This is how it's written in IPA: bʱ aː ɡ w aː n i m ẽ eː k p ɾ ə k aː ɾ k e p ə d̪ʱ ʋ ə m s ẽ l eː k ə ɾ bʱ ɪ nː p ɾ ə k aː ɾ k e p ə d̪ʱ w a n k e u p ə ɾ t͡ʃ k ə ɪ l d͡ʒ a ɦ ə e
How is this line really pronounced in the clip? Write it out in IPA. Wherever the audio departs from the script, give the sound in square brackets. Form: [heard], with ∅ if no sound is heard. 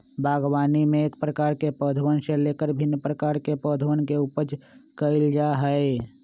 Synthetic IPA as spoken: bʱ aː ɡ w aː n i m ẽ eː k p ɾ ə k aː ɾ k e p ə d̪ʱ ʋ ə [n] s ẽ l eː k ə ɾ bʱ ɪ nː p ɾ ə k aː ɾ k e p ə d̪ʱ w [ə] n k e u p ə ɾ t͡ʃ k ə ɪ l d͡ʒ a ɦ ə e